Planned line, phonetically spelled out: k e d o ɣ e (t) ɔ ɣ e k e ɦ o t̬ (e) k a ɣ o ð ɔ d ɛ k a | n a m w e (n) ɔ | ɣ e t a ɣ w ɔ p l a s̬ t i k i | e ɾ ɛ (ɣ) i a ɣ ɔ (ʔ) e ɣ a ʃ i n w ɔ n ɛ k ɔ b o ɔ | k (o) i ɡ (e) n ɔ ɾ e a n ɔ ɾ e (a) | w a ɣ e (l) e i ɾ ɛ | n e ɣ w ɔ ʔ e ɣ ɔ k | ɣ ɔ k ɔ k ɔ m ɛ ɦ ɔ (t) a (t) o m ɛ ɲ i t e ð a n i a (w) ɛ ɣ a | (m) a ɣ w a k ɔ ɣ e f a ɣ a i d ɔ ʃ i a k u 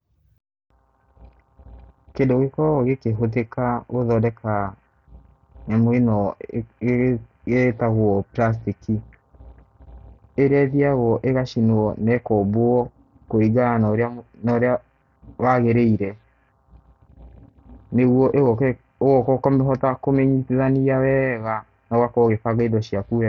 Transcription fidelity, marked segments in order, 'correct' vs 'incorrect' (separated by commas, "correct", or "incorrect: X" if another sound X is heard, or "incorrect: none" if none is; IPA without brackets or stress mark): incorrect: k, correct, correct, incorrect: ð, correct, correct, incorrect: a, correct, incorrect: ɾ, correct, incorrect: k, correct, incorrect: n